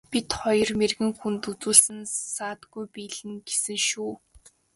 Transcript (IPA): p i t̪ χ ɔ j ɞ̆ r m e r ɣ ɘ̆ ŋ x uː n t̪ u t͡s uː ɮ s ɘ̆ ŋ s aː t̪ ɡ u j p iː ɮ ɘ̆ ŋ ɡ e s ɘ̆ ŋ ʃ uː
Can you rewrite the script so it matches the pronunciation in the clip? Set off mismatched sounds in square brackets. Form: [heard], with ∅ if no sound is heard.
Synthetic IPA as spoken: p i t̪ χ ɔ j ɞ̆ r m e r ɣ ɘ̆ ŋ x [u] n t̪ u t͡s uː ɮ s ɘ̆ [n] s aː t̪ ɡ u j p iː ɮ ɘ̆ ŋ ɡ e s ɘ̆ ŋ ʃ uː